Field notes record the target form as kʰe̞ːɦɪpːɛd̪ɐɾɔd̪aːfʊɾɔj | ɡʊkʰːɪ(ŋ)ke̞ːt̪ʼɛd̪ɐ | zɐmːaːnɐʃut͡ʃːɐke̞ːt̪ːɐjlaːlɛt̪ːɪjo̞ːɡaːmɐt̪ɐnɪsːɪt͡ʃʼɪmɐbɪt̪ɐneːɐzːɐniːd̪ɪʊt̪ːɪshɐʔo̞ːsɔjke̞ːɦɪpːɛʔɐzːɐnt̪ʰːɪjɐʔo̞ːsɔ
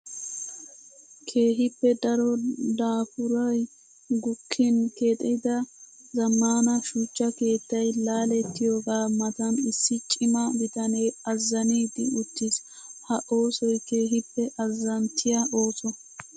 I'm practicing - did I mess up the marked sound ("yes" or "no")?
yes